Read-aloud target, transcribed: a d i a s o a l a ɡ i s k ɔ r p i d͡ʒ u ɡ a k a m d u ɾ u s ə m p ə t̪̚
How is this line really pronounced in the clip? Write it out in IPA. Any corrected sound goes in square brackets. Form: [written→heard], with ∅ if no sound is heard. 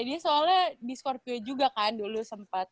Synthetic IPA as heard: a d i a s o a l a [ɡ→d] i s k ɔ r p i d͡ʒ u ɡ a k a [m→n] d u [ɾ→l] u s ə m p [ə→a] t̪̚